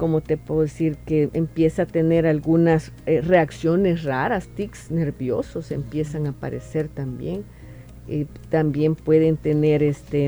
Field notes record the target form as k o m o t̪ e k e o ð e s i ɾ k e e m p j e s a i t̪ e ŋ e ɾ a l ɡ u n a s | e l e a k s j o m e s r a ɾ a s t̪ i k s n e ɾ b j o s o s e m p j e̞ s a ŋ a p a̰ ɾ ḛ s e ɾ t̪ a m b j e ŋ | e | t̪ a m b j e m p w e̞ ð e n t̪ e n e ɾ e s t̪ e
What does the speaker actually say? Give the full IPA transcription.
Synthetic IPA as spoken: k o m o t̪ e p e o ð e s i ɾ k e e m p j e s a a t̪ e n e ɾ a l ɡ u n a s | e r e a k s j o n e s r a ɾ a s t̪ i k s n e ɾ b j o s o s e m p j e̞ s a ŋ a p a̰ ɾ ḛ s e ɾ t̪ a m b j e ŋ | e | t̪ a m b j e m p w e̞ ð e n t̪ e n e ɾ e s t̪ e